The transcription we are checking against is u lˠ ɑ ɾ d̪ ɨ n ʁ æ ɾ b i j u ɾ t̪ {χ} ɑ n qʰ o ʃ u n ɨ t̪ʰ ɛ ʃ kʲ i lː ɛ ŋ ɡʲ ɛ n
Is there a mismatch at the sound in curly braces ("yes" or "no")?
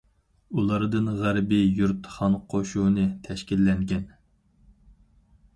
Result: no